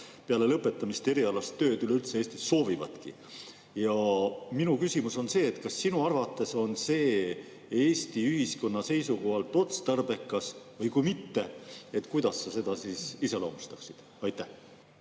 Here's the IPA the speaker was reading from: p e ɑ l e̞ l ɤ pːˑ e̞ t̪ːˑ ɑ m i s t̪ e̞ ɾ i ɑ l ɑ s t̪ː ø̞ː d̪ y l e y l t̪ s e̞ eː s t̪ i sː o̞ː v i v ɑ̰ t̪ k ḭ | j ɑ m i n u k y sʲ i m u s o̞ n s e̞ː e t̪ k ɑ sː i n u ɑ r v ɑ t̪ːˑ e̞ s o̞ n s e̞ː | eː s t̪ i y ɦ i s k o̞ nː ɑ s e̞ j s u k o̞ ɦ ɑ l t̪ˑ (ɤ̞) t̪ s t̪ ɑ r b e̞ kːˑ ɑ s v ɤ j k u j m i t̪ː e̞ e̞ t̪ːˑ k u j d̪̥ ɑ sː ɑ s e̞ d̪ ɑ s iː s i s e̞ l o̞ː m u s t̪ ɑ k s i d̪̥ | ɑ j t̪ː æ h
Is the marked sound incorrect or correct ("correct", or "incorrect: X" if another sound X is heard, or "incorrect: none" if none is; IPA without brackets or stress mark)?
incorrect: o̞